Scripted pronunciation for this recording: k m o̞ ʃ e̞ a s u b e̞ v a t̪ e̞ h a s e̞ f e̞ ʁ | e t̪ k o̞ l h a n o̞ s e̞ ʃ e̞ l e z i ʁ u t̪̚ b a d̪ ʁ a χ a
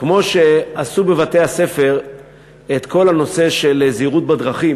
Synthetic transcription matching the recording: k m o̞ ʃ e̞ a s u b e̞ v a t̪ e̞ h a s e̞ f e̞ ʁ | e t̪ k o̞ l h a n o̞ s e̞ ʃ e̞ l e z i ʁ u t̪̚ b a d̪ ʁ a χ i